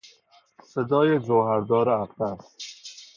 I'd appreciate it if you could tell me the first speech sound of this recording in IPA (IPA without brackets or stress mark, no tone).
s